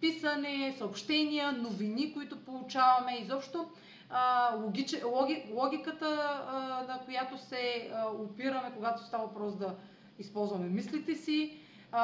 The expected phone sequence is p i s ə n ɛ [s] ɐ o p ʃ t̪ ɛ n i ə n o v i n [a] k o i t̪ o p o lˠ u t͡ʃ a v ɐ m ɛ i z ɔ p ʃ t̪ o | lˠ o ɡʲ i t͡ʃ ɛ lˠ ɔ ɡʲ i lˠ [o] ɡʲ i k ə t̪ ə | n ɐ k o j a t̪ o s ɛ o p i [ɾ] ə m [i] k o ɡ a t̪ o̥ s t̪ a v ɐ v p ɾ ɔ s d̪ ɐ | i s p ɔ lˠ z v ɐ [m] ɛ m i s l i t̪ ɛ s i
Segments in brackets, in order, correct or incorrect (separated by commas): correct, incorrect, incorrect, correct, incorrect, correct